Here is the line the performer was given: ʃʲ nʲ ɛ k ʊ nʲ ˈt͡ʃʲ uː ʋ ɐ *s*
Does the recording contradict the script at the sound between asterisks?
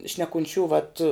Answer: yes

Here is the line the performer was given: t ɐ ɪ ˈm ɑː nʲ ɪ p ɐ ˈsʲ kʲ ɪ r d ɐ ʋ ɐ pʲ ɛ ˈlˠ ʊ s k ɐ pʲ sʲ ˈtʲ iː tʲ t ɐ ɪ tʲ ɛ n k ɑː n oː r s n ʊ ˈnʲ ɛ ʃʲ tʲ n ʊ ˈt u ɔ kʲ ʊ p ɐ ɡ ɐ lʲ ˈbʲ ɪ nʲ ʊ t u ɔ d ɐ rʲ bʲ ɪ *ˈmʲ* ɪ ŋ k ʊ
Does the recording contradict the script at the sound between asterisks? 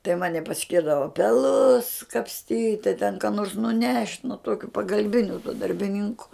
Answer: yes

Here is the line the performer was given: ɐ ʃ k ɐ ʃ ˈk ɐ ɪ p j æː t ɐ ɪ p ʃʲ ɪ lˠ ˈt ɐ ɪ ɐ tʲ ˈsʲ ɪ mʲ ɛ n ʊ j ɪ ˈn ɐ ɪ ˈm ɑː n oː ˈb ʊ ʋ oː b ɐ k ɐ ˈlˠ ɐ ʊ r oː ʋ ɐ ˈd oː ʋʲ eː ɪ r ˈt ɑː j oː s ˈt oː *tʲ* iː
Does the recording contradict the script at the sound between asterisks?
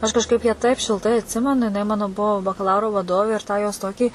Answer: yes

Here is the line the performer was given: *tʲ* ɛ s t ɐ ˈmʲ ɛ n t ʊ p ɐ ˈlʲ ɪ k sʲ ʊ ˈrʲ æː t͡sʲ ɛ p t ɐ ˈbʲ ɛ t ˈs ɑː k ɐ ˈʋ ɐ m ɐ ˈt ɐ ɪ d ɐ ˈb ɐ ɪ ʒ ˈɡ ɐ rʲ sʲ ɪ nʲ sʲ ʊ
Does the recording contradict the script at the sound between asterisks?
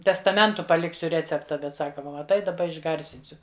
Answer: no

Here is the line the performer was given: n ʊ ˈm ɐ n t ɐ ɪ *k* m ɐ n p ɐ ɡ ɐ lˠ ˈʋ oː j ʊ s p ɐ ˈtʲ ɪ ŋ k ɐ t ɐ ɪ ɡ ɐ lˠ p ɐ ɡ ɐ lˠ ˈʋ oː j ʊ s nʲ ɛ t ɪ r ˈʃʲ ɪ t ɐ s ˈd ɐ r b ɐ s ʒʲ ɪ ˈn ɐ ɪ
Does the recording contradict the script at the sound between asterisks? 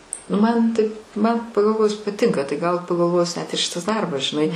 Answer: yes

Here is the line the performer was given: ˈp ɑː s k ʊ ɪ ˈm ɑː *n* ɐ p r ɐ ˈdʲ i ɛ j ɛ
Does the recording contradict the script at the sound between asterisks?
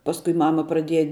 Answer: yes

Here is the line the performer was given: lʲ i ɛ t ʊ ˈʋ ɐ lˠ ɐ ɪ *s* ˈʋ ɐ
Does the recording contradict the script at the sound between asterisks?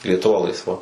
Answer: no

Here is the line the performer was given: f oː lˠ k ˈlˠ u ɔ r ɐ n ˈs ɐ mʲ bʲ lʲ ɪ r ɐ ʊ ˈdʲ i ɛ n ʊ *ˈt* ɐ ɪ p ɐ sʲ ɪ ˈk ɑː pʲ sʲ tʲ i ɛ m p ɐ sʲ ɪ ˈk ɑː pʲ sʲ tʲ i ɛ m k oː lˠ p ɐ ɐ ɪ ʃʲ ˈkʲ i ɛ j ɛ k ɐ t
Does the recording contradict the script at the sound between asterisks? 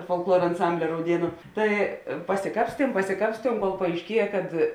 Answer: no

